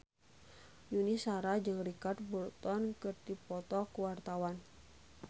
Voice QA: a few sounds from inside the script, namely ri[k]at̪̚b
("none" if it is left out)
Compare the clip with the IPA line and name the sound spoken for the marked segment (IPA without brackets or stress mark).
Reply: k